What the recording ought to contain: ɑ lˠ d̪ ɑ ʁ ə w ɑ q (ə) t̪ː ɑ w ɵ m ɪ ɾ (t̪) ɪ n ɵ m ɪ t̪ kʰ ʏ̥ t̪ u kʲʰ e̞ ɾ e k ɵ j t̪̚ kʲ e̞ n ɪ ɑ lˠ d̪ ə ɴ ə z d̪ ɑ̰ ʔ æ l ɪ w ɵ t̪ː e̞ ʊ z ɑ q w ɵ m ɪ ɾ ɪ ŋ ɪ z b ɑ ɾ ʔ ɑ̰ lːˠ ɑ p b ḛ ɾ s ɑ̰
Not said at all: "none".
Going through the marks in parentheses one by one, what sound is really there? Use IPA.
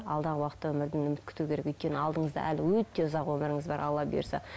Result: ə, d̪

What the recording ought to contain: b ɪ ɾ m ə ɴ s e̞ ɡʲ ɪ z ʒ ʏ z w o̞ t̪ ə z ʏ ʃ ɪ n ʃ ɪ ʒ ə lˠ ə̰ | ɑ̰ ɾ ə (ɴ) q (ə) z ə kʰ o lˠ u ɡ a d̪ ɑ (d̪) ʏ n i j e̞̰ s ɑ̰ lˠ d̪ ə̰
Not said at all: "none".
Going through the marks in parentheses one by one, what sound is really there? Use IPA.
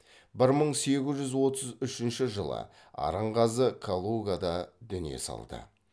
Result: ɴ, ɑ, d̪

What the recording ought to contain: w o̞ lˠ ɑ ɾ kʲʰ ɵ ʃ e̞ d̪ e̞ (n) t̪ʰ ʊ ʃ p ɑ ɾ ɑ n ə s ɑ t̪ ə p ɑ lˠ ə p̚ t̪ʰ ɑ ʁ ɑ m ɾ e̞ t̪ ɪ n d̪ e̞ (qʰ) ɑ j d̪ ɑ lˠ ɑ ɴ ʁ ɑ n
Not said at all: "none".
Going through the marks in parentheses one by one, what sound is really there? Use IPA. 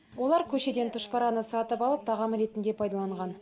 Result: n, pʰ

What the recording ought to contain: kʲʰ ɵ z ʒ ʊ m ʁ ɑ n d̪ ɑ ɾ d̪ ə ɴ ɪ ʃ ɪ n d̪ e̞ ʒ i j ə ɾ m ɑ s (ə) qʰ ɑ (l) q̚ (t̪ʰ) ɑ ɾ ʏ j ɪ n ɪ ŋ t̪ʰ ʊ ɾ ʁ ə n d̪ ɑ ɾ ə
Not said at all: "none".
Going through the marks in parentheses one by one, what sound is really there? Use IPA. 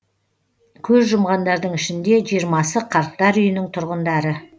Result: ə, ɾ, t̪

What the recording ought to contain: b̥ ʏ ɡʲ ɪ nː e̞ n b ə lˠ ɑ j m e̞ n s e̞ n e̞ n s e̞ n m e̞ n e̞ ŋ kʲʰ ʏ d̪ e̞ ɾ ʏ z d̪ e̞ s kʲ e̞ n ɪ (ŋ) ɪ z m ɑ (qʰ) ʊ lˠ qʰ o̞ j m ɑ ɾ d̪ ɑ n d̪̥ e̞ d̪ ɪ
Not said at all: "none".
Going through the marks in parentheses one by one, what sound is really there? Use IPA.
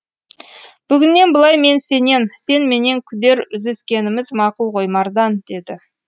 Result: m, q

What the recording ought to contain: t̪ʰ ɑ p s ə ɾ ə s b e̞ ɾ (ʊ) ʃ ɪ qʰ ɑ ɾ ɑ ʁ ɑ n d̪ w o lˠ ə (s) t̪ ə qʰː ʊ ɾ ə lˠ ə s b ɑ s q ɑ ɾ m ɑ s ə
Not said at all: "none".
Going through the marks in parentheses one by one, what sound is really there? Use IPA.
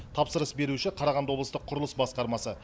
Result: u, s

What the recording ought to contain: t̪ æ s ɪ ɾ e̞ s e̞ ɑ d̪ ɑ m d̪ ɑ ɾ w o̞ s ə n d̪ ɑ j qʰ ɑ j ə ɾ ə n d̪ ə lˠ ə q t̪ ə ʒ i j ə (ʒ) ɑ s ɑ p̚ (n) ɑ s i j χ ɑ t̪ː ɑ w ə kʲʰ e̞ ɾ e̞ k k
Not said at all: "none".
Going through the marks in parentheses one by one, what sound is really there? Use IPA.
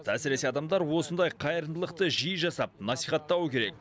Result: ʒ, n

